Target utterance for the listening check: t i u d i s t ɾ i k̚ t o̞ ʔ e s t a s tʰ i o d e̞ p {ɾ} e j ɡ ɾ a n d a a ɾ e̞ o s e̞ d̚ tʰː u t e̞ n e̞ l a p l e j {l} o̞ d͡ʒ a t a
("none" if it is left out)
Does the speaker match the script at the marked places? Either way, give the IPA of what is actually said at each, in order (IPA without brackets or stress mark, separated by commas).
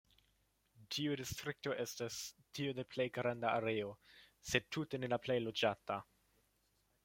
l, l